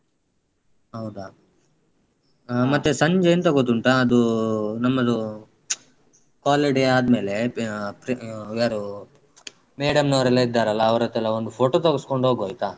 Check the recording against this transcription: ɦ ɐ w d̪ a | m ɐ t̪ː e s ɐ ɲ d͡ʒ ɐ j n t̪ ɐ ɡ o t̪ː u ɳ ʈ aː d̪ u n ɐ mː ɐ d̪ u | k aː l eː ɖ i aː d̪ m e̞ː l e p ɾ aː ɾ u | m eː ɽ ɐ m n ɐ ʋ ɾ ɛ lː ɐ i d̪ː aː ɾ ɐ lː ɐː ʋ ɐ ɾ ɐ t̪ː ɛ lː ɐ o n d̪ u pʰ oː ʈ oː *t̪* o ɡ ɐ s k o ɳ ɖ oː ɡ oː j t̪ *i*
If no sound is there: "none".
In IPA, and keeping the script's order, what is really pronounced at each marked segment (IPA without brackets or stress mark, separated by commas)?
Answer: t̪, a